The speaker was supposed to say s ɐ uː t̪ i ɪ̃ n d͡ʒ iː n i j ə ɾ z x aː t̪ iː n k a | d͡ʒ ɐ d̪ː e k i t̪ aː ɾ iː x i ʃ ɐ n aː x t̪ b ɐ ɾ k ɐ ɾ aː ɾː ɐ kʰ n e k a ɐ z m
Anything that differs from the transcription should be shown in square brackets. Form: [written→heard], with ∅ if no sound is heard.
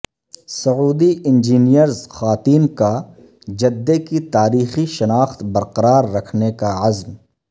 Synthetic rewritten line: s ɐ uː [t̪→d̪] i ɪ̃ n d͡ʒ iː n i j ə ɾ z x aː t̪ iː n k a | d͡ʒ ɐ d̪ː e k i t̪ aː ɾ iː x i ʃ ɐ n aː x t̪ b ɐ ɾ [k→q] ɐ ɾ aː ɾː ɐ kʰ n e k a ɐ z m